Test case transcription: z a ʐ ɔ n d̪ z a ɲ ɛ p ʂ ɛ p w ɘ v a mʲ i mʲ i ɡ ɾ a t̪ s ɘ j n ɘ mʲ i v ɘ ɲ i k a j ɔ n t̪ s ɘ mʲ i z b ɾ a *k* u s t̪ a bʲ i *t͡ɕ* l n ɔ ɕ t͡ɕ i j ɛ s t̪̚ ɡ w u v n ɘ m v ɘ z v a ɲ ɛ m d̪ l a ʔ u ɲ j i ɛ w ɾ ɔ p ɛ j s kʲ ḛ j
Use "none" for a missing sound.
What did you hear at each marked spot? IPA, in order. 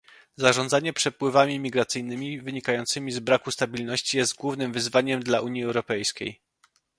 k, none

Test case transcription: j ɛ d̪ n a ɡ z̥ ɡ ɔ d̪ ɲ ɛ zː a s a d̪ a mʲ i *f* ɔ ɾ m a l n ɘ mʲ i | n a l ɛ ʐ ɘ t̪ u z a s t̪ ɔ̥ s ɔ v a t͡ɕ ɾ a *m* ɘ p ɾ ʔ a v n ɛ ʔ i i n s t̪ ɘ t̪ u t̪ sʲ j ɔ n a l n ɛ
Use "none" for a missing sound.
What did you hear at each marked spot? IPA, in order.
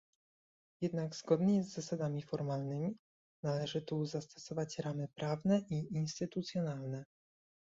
f, m

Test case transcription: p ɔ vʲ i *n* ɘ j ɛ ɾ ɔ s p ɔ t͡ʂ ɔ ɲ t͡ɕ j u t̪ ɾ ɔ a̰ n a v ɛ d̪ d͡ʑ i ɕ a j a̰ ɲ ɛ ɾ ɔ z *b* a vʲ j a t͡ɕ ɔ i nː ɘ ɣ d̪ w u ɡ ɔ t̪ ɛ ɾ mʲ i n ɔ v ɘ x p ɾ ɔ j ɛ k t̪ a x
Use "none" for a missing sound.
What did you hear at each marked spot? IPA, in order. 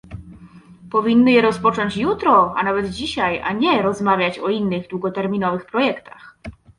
nː, m

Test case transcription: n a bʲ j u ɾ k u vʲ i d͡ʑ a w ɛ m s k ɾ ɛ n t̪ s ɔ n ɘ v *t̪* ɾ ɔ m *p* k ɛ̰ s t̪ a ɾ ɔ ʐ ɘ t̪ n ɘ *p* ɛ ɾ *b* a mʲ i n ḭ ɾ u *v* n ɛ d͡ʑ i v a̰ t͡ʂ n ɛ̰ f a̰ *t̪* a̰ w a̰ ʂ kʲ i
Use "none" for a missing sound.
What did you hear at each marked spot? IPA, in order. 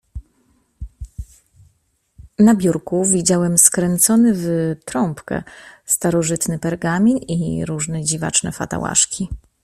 t̪, p, p, ɡ, ʐ, t̪

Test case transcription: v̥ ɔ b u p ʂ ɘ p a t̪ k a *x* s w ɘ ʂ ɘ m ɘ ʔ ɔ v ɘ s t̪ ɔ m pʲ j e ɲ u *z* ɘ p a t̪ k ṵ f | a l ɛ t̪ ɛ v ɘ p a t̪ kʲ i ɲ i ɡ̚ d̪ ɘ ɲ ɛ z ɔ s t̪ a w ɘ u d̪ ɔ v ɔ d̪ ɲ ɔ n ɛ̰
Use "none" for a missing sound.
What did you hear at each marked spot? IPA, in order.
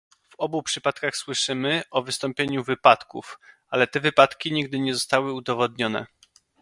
x, v

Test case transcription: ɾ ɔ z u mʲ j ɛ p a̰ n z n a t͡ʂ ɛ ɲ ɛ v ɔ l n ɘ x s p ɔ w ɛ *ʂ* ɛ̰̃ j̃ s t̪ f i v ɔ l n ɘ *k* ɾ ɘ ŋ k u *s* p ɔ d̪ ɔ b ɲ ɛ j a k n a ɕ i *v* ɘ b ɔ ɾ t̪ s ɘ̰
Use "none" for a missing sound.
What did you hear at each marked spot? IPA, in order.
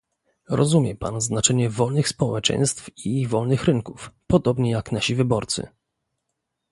t͡ʂ, x, f, v

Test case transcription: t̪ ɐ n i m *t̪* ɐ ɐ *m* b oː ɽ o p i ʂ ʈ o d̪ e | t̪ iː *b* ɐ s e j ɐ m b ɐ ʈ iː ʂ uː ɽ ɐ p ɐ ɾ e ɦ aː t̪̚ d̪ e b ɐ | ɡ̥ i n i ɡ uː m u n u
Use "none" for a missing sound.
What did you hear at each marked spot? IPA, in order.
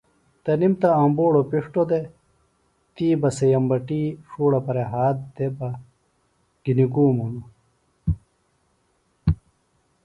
t̪, m, b

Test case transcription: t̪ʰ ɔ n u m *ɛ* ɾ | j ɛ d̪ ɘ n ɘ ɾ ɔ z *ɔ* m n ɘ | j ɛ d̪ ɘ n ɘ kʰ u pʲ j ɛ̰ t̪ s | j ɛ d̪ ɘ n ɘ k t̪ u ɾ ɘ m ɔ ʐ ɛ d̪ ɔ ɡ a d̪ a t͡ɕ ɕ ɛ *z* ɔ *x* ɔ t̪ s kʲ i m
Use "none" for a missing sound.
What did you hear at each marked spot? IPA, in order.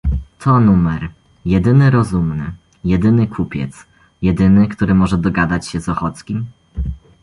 ɛ, u, z, x

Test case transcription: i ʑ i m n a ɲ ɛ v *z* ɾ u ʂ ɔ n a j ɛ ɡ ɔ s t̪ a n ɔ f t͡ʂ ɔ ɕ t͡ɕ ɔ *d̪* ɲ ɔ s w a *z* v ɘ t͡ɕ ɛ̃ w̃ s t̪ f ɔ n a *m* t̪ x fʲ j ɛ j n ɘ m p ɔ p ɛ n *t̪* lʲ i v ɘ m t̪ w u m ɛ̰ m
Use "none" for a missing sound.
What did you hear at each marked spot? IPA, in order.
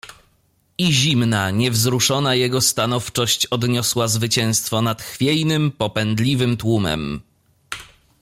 z, d̪, z, none, d̪

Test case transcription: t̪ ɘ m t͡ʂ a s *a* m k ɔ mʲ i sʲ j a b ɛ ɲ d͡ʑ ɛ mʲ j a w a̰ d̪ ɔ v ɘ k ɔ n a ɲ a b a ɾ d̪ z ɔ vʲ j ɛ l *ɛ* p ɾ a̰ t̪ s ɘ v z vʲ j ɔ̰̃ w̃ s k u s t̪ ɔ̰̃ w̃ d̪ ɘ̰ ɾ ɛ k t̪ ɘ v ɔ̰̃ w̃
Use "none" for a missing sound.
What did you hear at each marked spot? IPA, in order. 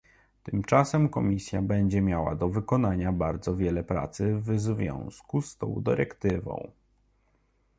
ɛ, ɛ

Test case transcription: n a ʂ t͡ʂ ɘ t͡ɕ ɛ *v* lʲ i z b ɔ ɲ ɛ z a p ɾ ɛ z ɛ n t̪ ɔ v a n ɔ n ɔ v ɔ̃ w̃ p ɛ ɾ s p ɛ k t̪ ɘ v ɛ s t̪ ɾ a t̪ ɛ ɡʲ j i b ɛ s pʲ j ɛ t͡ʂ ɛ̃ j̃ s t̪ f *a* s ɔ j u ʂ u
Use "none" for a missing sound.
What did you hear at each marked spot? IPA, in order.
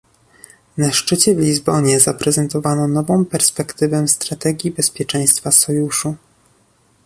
v, a

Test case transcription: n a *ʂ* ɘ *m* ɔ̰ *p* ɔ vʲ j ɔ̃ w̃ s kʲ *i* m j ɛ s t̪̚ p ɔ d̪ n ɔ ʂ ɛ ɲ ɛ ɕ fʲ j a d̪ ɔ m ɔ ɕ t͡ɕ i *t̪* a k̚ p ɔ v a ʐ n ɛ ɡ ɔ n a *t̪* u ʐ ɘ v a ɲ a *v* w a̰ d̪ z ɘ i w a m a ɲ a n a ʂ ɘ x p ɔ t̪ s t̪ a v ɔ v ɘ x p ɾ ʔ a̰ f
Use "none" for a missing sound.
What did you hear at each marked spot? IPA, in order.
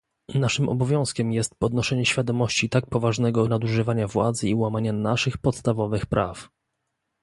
ʂ, m, b, ɛ, t̪, d̪, v

